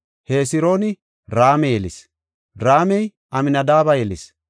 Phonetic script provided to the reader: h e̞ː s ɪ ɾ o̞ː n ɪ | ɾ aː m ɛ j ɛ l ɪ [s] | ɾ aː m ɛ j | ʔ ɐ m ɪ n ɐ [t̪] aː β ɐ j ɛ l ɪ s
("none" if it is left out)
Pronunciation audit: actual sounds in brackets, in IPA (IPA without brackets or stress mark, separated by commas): s, d̪